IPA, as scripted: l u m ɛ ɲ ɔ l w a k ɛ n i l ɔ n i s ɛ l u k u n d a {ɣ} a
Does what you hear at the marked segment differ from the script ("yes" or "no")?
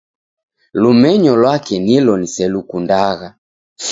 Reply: no